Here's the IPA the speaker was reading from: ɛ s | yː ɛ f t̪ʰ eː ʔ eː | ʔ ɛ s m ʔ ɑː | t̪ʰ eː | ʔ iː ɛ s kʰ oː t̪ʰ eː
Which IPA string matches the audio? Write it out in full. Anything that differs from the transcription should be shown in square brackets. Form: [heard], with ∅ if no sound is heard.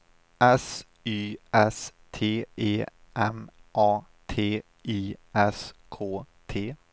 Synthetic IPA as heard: ɛ s | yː ɛ [s] t̪ʰ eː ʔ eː | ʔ ɛ [∅] m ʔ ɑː | t̪ʰ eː | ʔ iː ɛ s kʰ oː t̪ʰ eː